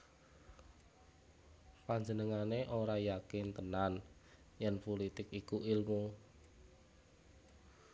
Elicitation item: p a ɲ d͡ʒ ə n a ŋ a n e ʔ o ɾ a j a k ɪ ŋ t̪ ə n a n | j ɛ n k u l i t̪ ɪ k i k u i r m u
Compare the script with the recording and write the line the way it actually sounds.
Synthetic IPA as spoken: p a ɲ d͡ʒ ə n ə ŋ a n e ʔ o ɾ a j a k ɪ n t̪ ə n a n | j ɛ n p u l i t̪ ɪ k i k u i l m u